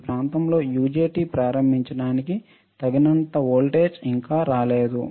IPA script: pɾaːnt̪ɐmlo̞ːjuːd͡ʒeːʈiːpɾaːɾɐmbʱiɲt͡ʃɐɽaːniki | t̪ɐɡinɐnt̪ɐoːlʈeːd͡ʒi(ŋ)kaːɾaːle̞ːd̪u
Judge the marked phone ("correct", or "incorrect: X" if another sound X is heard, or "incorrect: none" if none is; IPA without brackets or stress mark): correct